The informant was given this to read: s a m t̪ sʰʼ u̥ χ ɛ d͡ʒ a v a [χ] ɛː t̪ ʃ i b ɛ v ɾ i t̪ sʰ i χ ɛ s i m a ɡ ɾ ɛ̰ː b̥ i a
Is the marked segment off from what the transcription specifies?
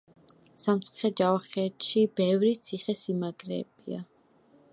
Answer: no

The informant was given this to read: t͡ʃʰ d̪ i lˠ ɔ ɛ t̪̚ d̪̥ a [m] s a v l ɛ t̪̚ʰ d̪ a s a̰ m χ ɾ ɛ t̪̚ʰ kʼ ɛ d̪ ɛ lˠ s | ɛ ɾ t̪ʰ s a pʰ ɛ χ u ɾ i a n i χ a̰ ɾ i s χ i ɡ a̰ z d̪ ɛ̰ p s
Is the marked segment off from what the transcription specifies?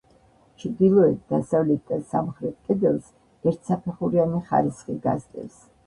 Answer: yes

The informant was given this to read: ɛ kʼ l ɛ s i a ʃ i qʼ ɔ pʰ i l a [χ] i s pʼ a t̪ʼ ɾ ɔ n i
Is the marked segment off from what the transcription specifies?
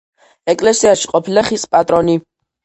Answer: no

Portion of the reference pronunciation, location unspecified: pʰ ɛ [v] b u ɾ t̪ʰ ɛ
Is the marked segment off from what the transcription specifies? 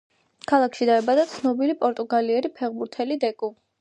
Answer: yes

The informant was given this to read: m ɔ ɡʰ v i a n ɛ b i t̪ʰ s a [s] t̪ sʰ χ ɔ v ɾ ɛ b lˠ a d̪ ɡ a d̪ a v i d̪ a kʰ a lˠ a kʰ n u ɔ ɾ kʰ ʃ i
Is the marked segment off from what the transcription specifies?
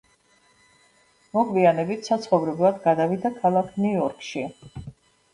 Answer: yes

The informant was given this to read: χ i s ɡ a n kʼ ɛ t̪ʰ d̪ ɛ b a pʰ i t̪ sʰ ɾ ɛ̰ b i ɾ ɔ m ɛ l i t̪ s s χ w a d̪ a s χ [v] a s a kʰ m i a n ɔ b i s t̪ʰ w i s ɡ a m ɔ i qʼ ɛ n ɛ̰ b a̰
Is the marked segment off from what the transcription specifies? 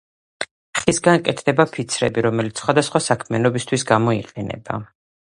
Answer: yes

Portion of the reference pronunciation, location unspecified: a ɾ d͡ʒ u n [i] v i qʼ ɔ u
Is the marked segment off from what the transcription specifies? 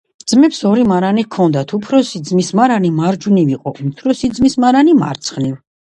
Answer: no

